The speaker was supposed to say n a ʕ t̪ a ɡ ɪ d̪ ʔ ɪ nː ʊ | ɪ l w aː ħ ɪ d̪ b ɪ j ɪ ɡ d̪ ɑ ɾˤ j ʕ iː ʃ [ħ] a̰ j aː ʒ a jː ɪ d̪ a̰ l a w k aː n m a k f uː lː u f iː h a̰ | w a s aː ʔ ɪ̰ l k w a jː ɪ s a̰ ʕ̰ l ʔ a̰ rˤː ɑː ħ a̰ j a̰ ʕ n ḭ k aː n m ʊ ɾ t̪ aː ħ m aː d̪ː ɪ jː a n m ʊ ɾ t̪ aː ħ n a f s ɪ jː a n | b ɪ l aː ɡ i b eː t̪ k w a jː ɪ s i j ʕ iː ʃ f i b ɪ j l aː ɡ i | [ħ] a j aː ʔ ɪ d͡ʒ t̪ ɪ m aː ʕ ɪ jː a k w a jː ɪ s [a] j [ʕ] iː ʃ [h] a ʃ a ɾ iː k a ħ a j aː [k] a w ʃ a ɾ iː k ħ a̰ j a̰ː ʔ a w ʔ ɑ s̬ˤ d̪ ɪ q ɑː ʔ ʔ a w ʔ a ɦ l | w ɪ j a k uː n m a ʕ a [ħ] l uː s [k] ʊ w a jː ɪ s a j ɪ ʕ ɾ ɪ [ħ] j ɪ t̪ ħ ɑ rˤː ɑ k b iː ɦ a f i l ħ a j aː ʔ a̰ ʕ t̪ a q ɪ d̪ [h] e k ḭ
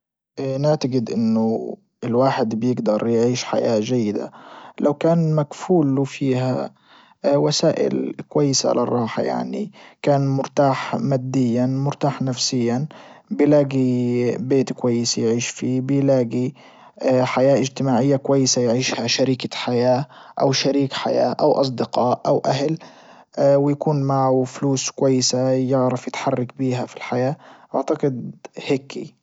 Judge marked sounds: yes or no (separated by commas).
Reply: yes, yes, yes, yes, yes, no, no, yes, no, yes